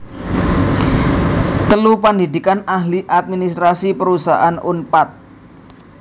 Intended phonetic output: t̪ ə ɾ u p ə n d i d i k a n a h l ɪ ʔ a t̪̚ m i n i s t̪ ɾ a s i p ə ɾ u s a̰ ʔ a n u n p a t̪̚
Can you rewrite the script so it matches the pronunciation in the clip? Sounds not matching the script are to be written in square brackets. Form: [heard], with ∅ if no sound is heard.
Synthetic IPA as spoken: t̪ ə [l] u p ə n d i d i k a n a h l [i] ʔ a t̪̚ m i n i s t̪ ɾ a s i p ə ɾ u s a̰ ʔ a n u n p a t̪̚